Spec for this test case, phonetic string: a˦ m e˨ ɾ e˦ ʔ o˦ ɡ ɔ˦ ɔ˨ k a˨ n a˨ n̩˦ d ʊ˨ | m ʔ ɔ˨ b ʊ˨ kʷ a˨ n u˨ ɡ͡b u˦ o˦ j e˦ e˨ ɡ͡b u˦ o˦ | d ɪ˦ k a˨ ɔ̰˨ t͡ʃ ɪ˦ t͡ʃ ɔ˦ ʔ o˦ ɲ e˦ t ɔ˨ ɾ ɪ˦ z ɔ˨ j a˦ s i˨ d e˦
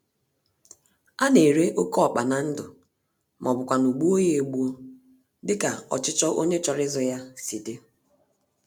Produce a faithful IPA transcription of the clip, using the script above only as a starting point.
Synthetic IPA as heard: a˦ n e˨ ɾ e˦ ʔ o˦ k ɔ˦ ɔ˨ k͡p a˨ n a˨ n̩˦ d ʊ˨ | m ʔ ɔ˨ b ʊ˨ kʷ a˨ n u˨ ɡ͡b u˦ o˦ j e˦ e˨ ɡ͡b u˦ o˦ | d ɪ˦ k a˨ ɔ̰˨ t͡ʃ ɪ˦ t͡ʃ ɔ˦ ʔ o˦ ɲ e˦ t͡ʃ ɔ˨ ɾ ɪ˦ z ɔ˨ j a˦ s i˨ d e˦